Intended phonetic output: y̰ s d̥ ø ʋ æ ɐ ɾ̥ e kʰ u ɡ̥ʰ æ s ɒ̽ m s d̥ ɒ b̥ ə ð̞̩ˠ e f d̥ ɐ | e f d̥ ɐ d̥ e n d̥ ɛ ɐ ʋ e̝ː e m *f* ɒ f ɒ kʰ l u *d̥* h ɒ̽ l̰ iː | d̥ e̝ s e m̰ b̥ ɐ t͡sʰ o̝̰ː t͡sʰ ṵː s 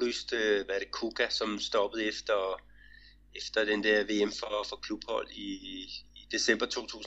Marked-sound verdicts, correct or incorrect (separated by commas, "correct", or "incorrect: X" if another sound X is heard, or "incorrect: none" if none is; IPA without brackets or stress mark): correct, incorrect: b̥